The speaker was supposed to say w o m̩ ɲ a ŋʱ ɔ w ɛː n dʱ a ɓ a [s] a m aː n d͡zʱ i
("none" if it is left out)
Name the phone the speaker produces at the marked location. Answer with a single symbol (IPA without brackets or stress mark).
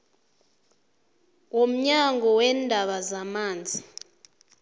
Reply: z